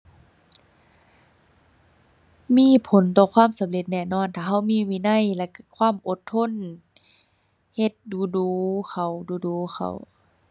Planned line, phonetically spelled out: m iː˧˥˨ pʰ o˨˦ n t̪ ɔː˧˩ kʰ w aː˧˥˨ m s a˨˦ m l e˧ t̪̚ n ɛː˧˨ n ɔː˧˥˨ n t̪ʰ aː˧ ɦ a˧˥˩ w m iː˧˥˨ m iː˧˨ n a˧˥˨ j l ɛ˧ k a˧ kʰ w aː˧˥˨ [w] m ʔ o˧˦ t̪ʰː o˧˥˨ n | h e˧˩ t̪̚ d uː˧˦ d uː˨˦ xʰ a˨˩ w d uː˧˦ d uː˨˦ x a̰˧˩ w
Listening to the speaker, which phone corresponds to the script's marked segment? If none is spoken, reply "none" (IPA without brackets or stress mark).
none